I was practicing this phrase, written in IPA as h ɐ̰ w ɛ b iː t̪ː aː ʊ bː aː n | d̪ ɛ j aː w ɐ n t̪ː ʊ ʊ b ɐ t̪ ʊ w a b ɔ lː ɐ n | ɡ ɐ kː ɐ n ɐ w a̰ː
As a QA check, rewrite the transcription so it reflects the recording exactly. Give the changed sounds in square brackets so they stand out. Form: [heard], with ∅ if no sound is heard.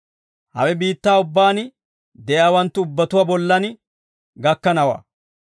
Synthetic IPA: h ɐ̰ w ɛ b iː t̪ː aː ʊ bː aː n | d̪ ɛ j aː w ɐ n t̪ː ʊ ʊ [bː] ɐ t̪ ʊ w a b ɔ lː ɐ n | ɡ ɐ kː ɐ n ɐ w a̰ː